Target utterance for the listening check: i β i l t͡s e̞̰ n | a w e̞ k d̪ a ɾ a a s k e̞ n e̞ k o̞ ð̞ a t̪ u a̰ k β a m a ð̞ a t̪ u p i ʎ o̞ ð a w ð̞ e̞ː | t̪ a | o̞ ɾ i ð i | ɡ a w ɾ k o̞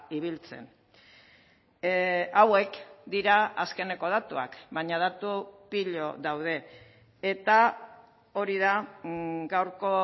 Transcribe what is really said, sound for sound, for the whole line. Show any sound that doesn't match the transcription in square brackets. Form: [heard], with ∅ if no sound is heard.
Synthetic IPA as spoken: i β i l t͡s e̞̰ n | a w e̞ k d̪ [i] ɾ a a s k e̞ n e̞ k o̞ ð̞ a t̪ u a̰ k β a [ɲ] a ð̞ a t̪ u p i ʎ o̞ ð a w ð̞ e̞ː | t̪ a | o̞ ɾ i ð [a] | ɡ a w ɾ k o̞